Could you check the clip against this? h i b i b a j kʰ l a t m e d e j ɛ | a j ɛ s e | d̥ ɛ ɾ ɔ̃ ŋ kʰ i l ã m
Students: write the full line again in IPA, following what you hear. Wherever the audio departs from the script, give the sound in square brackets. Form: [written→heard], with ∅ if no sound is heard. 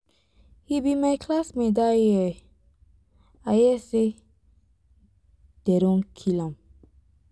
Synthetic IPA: h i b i [b→m] a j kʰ l a [t→s] m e d [e→a] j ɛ | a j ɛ s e | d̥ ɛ ɾ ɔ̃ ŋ kʰ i l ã m